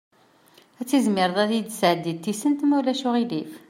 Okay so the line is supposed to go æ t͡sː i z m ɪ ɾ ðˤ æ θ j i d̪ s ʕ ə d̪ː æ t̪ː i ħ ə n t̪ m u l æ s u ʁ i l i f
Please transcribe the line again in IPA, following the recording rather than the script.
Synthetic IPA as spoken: æ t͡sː i z m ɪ ɾ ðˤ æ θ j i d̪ s ʕ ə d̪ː i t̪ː i s ə n t̪ m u l æ ʃ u ʁ i l i f